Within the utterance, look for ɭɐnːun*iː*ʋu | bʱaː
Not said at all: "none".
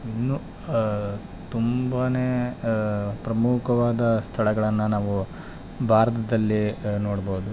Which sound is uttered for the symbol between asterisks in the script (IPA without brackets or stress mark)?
aː